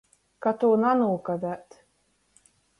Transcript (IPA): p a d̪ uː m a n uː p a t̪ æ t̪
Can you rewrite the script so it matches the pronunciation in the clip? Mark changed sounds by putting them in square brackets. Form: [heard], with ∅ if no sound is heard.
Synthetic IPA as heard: [k] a [t̪] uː [n] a n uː [k] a [d̪] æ t̪